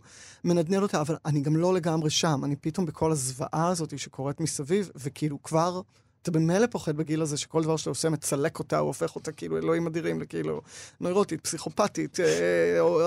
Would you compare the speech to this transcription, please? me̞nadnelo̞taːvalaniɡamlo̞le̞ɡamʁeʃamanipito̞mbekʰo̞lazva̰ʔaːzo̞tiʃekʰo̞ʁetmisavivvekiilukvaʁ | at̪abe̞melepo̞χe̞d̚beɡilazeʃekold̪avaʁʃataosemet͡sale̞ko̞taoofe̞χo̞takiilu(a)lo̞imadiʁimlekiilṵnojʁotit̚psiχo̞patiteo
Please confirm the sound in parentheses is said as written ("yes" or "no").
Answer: no